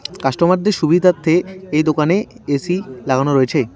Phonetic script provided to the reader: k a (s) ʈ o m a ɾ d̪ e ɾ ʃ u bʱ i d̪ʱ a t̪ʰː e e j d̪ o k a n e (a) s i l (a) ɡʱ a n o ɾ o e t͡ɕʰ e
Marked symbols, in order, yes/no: no, no, yes

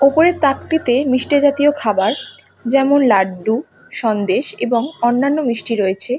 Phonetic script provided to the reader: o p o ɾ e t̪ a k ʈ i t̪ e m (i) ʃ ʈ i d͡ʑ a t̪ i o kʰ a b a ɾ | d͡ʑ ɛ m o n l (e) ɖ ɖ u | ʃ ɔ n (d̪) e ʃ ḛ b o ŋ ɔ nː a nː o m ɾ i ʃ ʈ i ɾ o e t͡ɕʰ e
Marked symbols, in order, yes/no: yes, no, yes

